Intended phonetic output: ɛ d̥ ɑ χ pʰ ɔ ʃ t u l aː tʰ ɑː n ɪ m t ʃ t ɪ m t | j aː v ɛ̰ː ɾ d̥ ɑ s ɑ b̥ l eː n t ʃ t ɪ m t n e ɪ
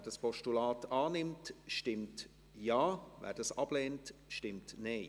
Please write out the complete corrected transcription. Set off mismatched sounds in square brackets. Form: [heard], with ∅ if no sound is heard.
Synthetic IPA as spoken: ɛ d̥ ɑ [s] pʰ ɔ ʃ t u l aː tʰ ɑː n ɪ m t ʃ t ɪ m t | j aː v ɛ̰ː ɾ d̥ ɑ s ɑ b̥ l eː n t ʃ t ɪ m t n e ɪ